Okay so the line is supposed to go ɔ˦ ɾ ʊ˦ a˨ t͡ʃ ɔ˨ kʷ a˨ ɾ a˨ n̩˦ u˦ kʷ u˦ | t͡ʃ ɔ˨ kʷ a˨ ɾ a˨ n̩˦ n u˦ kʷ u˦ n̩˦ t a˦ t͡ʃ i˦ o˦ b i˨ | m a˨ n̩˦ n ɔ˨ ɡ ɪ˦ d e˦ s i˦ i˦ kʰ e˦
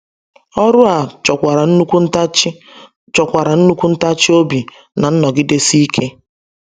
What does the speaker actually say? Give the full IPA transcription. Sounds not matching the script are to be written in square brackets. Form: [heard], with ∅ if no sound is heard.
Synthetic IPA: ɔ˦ ɾ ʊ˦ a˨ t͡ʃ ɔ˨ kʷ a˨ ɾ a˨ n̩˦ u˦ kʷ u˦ | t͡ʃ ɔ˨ kʷ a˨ ɾ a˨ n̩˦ n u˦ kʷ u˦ n̩˦ t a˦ t͡ʃ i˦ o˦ b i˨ | [n] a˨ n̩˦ n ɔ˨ ɡ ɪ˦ d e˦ s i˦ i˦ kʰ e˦

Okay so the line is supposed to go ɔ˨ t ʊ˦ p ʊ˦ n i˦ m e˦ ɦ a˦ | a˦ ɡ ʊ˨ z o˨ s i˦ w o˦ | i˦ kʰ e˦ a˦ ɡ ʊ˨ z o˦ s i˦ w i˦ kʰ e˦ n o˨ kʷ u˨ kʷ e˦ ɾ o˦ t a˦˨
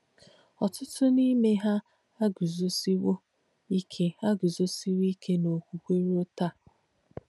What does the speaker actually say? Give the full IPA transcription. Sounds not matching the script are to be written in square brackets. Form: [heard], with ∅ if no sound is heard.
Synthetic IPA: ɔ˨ t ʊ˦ [t] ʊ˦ n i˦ m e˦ ɦ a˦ | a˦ ɡ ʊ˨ z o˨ s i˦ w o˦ | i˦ kʰ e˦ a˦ ɡ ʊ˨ z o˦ s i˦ w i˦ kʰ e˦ n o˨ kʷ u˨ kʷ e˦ ɾ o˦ t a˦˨

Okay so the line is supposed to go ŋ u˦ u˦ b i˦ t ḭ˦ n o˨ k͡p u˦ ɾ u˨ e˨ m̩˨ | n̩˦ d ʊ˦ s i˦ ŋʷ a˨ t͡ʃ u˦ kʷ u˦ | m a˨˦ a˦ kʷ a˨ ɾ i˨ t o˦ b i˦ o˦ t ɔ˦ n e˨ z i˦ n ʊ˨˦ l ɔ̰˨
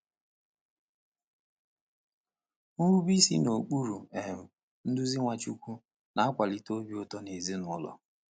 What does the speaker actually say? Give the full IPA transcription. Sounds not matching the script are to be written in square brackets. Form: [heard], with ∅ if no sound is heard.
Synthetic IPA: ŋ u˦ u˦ b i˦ [s] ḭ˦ n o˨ k͡p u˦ ɾ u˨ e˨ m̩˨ | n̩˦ d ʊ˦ [z] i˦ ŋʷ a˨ t͡ʃ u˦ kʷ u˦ | [n] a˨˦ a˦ kʷ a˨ [l] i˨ t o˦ b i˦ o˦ t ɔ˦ n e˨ z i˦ n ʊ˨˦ l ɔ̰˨

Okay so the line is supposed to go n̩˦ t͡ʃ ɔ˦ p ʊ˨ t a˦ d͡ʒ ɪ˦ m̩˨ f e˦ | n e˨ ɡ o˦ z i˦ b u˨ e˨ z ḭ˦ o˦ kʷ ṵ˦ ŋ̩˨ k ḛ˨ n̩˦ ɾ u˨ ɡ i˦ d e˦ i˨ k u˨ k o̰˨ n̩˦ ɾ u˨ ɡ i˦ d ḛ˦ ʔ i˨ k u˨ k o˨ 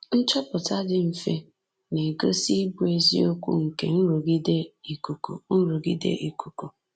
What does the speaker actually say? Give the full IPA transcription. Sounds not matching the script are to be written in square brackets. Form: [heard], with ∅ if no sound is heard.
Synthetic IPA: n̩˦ t͡ʃ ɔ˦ p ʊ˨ t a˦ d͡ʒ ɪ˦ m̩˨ f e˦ | n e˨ ɡ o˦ [s] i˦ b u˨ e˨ z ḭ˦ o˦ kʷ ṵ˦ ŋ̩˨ k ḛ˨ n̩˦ ɾ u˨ ɡ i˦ d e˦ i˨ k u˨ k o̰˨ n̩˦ ɾ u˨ ɡ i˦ d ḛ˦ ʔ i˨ k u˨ k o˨

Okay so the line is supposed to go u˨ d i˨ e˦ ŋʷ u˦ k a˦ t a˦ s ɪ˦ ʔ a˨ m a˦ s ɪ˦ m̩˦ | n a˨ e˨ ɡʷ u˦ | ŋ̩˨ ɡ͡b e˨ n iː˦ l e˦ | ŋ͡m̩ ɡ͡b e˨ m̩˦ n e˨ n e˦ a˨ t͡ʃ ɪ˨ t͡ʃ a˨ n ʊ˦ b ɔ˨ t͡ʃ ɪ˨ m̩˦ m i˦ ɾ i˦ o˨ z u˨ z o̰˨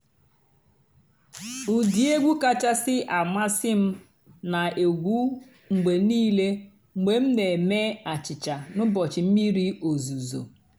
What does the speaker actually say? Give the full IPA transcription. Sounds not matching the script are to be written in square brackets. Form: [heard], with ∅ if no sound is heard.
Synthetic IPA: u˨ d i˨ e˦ [ɡʷ] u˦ k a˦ [t͡ʃ] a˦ s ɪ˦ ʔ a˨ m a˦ s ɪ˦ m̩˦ | n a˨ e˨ ɡʷ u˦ | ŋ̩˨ ɡ͡b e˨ n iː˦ l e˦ | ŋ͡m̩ ɡ͡b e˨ m̩˦ n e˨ [m] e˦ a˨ t͡ʃ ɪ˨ t͡ʃ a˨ n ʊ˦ b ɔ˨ t͡ʃ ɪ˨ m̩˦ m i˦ ɾ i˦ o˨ z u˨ z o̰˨

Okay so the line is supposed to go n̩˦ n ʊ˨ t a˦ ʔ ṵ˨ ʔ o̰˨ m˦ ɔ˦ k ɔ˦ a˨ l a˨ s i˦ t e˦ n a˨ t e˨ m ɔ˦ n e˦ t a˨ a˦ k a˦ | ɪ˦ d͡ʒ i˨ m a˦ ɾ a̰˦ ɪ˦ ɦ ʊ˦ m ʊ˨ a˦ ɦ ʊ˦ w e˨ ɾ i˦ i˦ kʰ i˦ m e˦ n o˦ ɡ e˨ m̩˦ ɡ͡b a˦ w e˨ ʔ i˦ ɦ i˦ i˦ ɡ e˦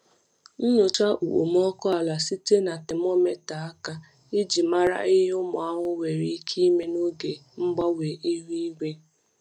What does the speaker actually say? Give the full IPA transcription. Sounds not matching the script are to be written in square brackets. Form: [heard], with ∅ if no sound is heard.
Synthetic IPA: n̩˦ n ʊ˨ [t͡ʃ] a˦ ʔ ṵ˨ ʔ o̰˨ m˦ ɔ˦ k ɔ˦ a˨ l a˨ s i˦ t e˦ n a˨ t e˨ m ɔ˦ [m] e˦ t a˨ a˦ k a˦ | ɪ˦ d͡ʒ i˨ m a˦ ɾ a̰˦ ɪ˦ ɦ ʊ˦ m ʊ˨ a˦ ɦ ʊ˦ w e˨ ɾ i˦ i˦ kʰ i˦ m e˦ n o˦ ɡ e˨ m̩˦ ɡ͡b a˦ w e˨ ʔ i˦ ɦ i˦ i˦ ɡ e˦

